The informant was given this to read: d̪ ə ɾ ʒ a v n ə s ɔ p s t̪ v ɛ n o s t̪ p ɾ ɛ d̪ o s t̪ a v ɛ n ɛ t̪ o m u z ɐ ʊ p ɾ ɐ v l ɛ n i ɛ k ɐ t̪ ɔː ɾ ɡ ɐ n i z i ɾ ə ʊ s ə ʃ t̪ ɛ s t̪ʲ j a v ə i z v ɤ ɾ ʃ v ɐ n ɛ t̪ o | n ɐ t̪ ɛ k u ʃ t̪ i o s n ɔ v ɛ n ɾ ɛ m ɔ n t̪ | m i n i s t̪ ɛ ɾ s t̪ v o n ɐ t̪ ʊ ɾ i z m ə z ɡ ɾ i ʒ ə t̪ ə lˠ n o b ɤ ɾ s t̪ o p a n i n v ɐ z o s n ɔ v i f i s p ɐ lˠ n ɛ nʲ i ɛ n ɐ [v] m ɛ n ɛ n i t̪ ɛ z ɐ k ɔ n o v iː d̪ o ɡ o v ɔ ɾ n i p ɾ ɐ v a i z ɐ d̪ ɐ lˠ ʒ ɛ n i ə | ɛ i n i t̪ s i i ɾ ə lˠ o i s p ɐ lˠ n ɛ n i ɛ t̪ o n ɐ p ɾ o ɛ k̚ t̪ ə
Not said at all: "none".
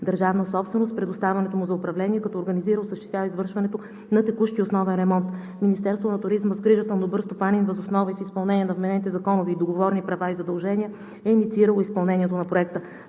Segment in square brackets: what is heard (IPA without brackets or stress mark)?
v